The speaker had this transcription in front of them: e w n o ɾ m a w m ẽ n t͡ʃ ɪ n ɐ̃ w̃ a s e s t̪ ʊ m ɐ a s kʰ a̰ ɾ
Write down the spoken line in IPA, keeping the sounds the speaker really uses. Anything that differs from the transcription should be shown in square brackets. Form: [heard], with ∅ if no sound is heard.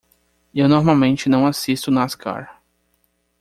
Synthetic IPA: e w n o ɾ m a w m ẽ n t͡ʃ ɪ n ɐ̃ w̃ a s [i] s t̪ ʊ [n] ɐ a s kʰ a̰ ɾ